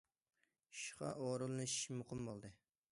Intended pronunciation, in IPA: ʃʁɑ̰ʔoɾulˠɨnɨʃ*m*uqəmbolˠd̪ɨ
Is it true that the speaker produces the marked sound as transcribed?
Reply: yes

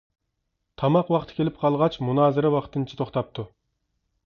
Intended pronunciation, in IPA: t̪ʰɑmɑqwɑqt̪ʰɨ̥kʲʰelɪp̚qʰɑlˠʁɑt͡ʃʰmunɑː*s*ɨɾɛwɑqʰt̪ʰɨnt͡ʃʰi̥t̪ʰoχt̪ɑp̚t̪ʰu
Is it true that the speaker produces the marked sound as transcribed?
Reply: no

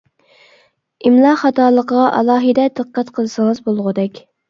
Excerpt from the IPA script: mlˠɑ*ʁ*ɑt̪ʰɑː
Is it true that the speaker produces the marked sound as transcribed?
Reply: no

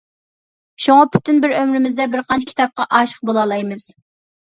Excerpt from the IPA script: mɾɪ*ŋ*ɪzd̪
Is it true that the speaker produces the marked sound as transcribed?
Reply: no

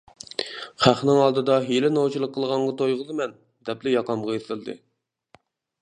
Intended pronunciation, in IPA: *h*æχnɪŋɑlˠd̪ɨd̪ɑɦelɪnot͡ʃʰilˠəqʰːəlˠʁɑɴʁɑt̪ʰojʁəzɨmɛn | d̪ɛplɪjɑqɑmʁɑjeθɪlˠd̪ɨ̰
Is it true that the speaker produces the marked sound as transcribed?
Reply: no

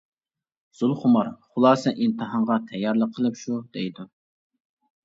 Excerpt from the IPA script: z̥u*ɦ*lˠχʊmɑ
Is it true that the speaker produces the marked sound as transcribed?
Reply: no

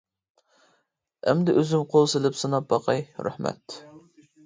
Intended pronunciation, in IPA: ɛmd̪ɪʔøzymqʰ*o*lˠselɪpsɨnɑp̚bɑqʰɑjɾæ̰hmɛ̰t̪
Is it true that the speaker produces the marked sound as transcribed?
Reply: yes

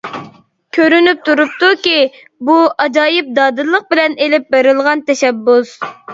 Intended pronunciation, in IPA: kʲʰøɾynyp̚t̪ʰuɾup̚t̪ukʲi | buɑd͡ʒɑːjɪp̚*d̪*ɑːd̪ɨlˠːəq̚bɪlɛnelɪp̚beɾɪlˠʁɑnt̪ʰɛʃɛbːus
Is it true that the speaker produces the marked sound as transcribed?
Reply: yes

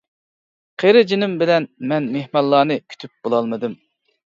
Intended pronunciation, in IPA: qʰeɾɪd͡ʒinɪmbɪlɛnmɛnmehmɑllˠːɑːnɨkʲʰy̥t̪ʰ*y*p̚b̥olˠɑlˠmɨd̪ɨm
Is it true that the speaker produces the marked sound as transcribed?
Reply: yes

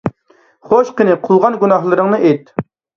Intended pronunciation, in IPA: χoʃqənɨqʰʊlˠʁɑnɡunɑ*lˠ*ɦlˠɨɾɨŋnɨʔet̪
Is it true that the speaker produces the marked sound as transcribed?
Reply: no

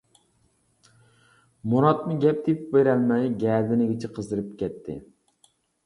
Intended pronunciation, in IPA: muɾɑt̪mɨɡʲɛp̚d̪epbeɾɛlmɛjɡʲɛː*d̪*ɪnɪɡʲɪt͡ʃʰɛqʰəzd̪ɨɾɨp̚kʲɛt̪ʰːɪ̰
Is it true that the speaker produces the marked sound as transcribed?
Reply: yes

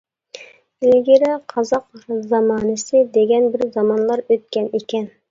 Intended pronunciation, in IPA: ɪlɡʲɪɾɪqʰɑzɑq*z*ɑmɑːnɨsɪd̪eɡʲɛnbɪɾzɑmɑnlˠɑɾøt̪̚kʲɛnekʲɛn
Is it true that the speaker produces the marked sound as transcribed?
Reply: yes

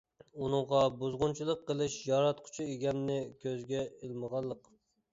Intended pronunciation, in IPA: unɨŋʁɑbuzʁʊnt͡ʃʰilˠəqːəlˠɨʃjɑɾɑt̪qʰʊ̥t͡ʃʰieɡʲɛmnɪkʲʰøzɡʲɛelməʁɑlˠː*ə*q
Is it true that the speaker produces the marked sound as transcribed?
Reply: yes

